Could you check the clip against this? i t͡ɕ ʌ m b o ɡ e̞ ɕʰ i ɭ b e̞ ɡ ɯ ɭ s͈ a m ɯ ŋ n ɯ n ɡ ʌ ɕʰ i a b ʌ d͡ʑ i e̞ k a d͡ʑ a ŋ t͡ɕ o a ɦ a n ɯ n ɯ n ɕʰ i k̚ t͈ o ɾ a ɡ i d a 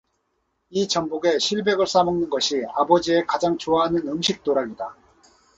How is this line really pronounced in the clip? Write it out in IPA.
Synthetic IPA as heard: i t͡ɕ ʌ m b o ɡ e̞ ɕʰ i ɭ b e̞ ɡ ɯ ɭ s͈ a m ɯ ŋ n ɯ n ɡ ʌ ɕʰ i a b ʌ d͡ʑ i e̞ k a d͡ʑ a ŋ t͡ɕ o a ɦ a n ɯ n ɯ m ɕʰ i k̚ t͈ o ɾ a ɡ i d a

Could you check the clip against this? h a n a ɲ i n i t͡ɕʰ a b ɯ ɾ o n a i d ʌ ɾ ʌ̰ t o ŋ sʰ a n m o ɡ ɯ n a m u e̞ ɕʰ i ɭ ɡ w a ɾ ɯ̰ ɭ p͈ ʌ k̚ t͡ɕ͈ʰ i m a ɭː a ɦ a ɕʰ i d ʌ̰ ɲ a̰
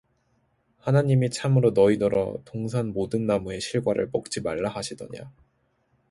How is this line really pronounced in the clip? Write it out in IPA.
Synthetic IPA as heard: h a n a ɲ i m i t͡ɕʰ a m ɯ ɾ o n ʌ i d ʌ ɾ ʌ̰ t o ŋ sʰ a n m o d ɯ nː a m u e̞ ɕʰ i ɭ ɡ w a ɾ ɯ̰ ɭ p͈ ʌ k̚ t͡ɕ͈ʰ i m a ɭː a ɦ a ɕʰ i d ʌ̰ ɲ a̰

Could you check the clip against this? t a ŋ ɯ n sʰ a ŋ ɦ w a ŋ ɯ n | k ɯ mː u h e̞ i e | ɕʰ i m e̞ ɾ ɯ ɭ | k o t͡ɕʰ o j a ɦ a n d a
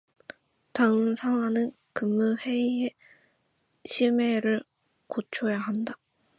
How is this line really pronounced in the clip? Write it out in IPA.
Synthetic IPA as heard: t a ŋ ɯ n sʰ a ŋ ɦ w a n ɯ n | k ɯ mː u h e̞ i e | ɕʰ i m e̞ ɾ ɯ ɭ | k o t͡ɕʰ o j a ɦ a n d a

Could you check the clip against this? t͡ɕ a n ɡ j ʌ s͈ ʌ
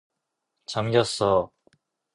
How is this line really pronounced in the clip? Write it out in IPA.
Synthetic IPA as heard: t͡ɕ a m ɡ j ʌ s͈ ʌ

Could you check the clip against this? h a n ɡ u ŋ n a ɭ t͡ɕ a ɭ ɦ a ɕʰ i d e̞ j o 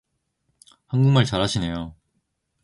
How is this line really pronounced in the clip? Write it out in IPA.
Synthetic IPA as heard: h a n ɡ u ŋ m a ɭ t͡ɕ a ɾ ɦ a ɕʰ i n e̞ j o

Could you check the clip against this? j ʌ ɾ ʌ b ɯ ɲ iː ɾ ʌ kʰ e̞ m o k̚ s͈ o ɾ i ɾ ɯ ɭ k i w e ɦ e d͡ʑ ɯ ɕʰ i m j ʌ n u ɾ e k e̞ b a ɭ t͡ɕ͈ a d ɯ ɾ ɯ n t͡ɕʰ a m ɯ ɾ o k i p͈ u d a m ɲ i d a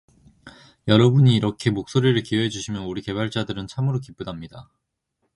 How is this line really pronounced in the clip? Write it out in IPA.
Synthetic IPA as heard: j ʌ ɾ ʌ b u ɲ iː ɾ ʌ kʰ e̞ m o k̚ s͈ o ɾ i ɾ ɯ ɭ k i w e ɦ e d͡ʑ u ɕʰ i m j ʌ n u ɾ i k e̞ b a ɭ t͡ɕ͈ a d ɯ ɾ ɯ n t͡ɕʰ a m ɯ ɾ o k i p͈ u d a m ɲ i d a

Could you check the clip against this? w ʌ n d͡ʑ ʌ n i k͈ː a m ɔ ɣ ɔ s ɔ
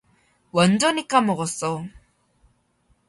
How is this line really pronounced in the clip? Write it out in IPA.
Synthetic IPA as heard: w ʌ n d͡ʑ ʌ n i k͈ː a m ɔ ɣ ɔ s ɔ

